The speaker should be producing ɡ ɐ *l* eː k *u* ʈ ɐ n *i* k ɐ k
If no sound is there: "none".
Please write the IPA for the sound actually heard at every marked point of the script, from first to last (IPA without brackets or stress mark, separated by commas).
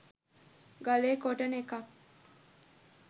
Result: l, o, e